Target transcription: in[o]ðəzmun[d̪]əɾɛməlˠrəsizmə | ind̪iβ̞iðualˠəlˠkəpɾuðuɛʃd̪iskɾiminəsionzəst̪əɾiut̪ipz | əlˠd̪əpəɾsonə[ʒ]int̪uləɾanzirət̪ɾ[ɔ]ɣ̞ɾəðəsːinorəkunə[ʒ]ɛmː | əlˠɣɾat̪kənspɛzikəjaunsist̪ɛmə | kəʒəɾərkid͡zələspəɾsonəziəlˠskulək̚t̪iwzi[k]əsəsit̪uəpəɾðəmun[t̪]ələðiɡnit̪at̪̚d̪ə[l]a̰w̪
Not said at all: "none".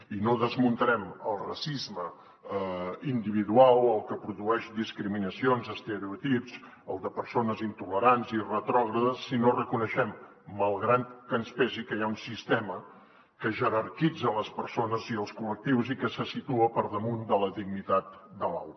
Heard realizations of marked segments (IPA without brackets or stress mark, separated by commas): o, t̪, z, ɔ, ʃ, k, d̪, l